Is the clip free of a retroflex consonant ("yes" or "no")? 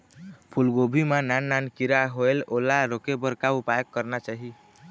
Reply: yes